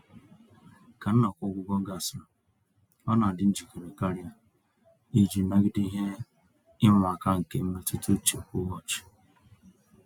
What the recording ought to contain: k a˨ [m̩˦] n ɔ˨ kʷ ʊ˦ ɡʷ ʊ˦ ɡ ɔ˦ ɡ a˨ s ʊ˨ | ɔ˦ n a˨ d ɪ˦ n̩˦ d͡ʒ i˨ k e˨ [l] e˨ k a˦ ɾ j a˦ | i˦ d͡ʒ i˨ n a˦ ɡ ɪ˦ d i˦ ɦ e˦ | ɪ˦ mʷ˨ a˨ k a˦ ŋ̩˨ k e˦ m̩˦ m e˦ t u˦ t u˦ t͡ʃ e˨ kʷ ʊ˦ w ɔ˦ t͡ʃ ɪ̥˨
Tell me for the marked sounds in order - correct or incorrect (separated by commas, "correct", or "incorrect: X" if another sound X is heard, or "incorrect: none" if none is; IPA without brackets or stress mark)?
incorrect: n̩˦, incorrect: ɾ